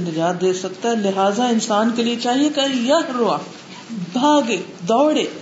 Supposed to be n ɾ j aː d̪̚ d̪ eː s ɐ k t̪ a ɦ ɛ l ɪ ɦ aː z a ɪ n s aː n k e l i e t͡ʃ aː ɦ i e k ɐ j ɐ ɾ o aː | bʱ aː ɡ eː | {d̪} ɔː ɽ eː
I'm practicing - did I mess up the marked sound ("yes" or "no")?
no